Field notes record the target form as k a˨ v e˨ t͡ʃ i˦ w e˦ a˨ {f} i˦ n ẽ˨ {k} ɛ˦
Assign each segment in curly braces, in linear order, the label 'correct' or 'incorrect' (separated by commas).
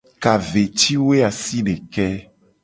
incorrect, correct